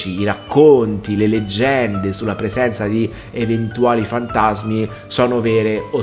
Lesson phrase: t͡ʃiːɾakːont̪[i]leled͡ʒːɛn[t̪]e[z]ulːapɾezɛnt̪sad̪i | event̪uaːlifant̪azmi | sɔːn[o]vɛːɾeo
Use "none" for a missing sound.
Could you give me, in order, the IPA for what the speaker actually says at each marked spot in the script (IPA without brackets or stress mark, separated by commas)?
i, d̪, s, o